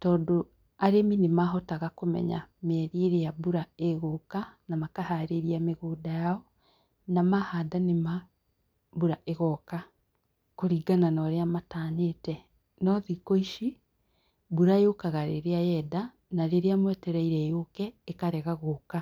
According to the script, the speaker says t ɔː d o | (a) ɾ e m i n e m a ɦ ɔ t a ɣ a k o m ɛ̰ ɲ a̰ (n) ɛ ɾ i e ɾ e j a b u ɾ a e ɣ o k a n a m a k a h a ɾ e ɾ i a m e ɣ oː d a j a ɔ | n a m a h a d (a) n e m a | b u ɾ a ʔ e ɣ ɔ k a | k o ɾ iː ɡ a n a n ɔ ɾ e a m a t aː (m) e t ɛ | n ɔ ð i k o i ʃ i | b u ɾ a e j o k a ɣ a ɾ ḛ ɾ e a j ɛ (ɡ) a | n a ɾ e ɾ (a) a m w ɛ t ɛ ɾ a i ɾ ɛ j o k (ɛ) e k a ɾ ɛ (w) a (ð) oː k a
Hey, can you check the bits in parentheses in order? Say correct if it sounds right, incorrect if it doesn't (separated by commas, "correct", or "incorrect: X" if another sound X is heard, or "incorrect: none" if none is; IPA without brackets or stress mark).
correct, incorrect: m, correct, incorrect: ɲ, incorrect: d, incorrect: e, correct, incorrect: ɣ, incorrect: ɣ